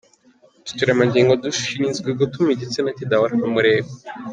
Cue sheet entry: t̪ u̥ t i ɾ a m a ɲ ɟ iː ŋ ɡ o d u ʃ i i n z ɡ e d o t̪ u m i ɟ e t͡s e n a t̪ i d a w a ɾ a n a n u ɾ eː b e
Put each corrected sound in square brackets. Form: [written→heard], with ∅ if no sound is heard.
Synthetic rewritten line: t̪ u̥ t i ɾ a m a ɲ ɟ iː ŋ ɡ o d u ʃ i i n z ɡ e [d→ɡ] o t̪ u m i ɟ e t͡s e n a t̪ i d a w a ɾ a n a [n→m] u ɾ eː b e